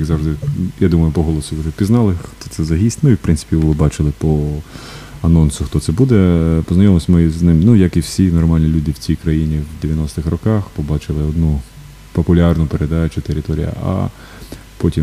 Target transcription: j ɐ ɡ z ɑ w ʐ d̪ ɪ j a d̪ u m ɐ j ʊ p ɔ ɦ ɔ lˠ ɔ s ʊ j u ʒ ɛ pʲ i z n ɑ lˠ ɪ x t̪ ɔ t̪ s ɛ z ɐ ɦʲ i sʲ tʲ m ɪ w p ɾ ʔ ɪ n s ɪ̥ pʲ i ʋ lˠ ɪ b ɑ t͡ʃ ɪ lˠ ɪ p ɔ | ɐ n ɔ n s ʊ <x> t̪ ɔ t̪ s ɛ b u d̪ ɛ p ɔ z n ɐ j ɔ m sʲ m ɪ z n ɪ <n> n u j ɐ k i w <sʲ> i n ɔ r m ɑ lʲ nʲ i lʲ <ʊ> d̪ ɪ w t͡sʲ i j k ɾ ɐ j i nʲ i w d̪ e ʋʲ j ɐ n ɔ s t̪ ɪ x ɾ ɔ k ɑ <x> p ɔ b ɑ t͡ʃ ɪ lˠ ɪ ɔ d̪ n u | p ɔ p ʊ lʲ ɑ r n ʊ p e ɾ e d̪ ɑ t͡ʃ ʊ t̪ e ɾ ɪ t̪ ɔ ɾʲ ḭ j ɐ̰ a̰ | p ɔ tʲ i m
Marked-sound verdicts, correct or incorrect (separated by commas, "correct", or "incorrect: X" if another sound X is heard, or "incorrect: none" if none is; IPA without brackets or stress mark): correct, incorrect: m, correct, incorrect: u, correct